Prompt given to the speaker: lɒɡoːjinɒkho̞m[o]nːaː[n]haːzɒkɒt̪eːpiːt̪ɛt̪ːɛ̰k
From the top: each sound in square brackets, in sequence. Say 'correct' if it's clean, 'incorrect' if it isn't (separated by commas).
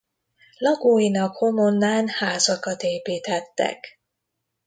correct, correct